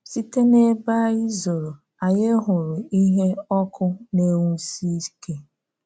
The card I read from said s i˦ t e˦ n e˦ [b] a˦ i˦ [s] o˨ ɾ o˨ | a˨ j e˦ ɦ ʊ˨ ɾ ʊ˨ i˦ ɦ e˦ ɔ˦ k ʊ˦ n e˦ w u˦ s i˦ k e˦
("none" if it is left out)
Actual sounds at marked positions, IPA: b, z

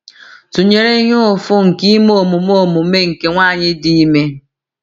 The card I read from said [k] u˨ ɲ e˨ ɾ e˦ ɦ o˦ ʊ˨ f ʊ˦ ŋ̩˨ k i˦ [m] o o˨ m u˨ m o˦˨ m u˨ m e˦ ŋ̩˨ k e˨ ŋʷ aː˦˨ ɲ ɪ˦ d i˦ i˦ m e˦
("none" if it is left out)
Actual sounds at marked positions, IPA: t, m

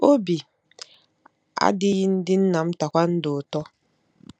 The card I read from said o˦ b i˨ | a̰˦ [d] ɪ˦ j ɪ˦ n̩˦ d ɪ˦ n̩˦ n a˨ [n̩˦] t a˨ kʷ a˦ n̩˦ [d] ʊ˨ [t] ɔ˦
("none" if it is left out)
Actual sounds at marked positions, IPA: d, m̩˦, d, t

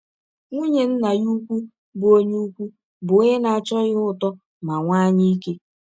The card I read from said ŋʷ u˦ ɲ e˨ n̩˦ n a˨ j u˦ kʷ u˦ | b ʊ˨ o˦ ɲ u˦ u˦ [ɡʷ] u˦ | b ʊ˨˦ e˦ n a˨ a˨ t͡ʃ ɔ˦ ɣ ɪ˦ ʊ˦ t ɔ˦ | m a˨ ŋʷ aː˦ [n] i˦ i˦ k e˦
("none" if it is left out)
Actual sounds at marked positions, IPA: kʷ, ɲ

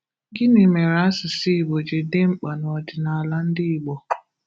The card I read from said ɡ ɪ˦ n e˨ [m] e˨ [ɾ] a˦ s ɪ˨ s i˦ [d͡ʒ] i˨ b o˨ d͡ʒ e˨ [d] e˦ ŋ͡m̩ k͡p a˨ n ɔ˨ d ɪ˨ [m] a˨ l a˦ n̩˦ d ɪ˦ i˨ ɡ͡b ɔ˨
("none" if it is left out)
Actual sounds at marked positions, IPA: m, ɾ, none, d, n

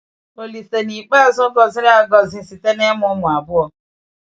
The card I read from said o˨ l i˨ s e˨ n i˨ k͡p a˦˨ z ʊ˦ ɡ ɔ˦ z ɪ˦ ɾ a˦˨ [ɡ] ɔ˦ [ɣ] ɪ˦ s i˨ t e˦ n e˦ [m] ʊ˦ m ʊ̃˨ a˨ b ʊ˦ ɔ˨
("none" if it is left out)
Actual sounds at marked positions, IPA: ɡ, z, m

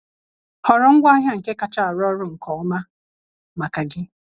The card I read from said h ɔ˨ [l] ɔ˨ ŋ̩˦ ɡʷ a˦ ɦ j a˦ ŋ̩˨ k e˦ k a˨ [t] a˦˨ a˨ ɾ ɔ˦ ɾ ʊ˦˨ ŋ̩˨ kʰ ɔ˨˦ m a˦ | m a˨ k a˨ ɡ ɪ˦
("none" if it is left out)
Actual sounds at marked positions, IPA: ɾ, t͡ʃ

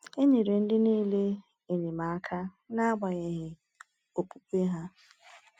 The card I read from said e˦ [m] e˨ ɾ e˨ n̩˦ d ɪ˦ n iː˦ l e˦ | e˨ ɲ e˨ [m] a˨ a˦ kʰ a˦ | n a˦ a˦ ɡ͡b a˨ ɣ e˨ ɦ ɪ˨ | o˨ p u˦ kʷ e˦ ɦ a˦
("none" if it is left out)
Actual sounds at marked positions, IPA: ɲ, m

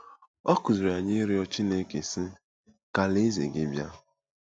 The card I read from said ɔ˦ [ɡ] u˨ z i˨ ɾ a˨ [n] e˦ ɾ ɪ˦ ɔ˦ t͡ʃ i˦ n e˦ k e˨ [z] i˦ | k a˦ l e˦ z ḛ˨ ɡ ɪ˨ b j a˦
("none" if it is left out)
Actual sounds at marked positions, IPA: k, ɲ, s

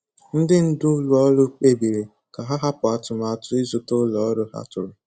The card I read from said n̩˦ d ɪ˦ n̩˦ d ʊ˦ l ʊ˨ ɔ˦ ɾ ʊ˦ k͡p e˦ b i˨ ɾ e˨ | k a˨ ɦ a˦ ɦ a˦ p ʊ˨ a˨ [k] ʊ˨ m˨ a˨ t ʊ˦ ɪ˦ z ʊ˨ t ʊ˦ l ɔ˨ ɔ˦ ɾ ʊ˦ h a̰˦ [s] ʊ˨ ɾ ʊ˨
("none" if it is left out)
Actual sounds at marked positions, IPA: t, t

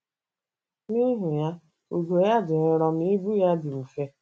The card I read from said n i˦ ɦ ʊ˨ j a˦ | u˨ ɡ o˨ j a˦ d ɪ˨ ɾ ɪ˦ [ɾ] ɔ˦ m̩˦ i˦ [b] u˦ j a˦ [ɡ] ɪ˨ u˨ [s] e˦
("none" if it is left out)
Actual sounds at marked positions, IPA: ɾ, b, d, f

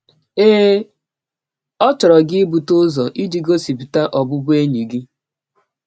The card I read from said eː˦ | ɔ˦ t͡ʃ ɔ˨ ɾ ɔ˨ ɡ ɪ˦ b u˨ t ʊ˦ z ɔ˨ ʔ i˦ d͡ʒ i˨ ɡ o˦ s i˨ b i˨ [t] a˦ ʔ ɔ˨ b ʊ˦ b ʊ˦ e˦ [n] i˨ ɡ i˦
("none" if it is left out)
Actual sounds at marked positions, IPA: t, ɲ

